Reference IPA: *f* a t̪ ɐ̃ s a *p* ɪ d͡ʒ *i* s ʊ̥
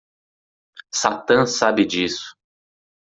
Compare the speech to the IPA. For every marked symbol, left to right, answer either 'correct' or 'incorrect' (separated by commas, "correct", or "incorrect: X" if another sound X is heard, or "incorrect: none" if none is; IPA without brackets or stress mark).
incorrect: s, incorrect: b, correct